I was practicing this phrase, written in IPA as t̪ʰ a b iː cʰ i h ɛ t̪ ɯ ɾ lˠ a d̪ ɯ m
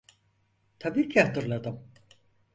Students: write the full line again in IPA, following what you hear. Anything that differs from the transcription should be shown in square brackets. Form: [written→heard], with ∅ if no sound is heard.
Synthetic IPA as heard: t̪ʰ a b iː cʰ i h [ɛ→a] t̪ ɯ ɾ lˠ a d̪ ɯ m